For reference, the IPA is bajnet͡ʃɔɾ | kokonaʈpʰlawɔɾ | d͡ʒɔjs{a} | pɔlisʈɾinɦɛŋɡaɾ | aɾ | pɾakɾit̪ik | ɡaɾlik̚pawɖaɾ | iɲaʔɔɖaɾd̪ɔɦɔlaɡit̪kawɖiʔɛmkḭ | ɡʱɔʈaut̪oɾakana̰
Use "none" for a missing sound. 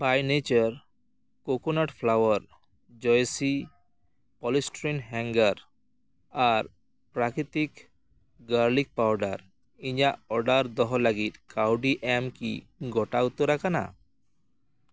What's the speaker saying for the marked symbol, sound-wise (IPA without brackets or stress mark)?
i